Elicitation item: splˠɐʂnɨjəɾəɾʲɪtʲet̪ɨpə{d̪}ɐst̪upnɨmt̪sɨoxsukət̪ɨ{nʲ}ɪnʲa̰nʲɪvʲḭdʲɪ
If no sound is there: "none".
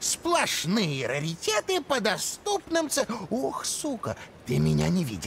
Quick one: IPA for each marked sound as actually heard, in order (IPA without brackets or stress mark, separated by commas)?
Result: d̪, mʲ